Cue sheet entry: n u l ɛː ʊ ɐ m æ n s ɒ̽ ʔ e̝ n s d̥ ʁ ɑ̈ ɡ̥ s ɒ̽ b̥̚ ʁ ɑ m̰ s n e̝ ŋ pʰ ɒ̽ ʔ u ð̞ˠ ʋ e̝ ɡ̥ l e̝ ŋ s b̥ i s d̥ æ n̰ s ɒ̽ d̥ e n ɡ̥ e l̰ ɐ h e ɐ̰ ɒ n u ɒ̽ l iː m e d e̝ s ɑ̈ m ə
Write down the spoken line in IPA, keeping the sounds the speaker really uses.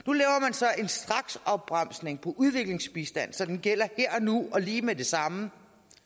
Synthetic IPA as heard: n u l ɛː ʊ ɐ m æ n s ɒ̽ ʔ e̝ n s d̥ ʁ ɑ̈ ɡ̥ s ɒ̽ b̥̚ ʁ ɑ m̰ s n e̝ ŋ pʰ ɒ̽ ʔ u ð̞ˠ ʋ e̝ ɡ̥ l e̝ ŋ s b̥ i s d̥ æ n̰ s ɒ̽ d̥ e n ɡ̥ e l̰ ɐ h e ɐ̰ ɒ n u ɒ̽ l iː m e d e̝ s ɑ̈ m ə

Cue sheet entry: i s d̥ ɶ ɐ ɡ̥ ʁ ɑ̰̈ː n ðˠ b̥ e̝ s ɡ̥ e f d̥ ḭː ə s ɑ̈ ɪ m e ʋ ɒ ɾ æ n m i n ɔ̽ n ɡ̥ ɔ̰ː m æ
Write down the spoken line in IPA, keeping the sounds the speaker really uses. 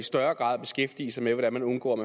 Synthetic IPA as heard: i s d̥ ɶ ɐ ɡ̥ ʁ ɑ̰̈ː ðˠ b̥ e̝ s ɡ̥ e f d̥ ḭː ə s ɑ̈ ɪ m e ʋ ɒ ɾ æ n m æ n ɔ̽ n ɡ̥ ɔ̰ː m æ

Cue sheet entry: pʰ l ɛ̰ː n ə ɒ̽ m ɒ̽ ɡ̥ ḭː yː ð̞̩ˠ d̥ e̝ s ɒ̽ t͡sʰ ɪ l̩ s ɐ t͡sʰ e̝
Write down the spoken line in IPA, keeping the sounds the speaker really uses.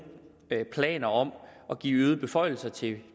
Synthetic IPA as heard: pʰ l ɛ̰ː n ɐ ɒ̽ m ɒ̽ ɡ̥ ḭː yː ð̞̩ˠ b̥ e̝ f ɒ̽ ɪ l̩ s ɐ t͡sʰ e̝

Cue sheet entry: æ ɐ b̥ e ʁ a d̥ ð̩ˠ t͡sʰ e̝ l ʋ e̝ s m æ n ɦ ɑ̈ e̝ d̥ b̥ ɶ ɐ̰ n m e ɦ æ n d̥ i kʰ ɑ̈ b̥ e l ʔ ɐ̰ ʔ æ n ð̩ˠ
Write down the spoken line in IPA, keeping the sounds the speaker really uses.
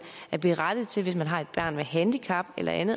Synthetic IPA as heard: æ ɐ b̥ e ʁ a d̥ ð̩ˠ t͡sʰ e̝ l ʋ e̝ s m æ n ɦ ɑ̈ e̝ d̥ b̥ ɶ ɐ̰ n m e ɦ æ n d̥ i kʰ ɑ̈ b̥ e l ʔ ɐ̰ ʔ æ n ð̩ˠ

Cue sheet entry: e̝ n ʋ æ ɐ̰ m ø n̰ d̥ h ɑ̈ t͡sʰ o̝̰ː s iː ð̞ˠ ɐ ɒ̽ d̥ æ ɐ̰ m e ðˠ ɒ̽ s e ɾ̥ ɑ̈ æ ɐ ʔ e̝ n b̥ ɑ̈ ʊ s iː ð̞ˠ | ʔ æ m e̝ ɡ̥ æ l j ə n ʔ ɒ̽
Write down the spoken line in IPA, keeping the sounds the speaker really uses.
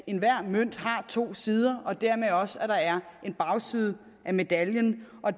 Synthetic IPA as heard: e̝ n ʋ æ ɐ̰ m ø n̰ d̥ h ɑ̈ t͡sʰ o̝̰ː s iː ð̞ˠ ɐ ɒ̽ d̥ æ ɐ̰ m e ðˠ ɒ̽ s æ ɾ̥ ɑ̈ æ ɐ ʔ e̝ n b̥ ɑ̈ ʊ s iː ð̞ˠ | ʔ æ m e̝ d̥ æ l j ə n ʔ ɒ̽

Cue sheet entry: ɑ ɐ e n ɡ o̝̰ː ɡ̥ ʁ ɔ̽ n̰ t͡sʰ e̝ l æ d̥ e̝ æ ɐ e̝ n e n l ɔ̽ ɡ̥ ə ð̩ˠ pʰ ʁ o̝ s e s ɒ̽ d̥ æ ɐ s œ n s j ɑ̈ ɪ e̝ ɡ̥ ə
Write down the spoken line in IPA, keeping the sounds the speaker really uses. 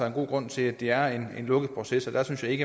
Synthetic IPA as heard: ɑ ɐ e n ɡ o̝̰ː ɡ̥ ʁ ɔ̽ n̰ t͡sʰ e̝ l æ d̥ e̝ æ ɐ e̝ n e n l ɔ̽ ɡ̥ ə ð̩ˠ pʰ ʁ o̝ s e s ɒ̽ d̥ æ ɐ s y n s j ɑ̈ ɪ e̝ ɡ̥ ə

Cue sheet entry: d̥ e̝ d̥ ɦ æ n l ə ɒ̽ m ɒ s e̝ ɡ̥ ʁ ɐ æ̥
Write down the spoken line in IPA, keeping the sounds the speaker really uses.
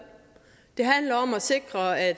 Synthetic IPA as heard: d̥ e̝ ɦ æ n l ɐ ɒ̽ m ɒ s e̝ ɡ̥ ʁ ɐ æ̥

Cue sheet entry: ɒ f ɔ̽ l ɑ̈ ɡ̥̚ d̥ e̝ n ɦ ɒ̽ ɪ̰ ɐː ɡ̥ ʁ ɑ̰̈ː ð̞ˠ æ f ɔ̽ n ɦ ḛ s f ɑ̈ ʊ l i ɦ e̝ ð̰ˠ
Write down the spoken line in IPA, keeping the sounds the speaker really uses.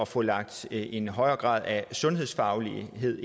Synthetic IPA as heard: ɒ f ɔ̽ l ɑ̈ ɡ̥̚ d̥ e̝ n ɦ ɒ̽ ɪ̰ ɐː ɡ̥ ʁ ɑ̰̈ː ð̞ˠ æ s ɔ̽ n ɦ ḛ s f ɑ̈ ʊ l i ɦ e̝ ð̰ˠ

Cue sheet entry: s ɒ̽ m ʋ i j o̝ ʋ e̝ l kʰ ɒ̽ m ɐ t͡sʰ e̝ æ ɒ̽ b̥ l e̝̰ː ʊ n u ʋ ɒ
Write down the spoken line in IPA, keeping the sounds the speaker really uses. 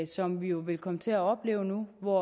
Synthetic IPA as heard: s ɒ̽ m ʋ i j o̝ ʋ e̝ l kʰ ɒ̽ m ə t͡sʰ e̝ æ ɒ̽ b̥ l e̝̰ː ʊ n u ʋ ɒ

